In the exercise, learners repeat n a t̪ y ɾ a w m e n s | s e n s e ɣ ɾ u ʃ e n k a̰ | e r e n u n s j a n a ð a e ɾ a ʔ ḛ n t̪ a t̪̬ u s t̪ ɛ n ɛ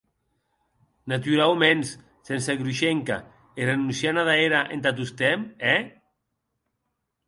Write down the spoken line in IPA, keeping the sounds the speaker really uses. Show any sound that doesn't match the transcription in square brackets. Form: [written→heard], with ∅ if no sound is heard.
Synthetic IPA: n a t̪ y ɾ a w m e n s | s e n s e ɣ ɾ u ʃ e [n→ŋ] k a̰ | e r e n u n s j a n a ð a e ɾ a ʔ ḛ n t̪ a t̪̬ u s t̪ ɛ [n→m] ɛ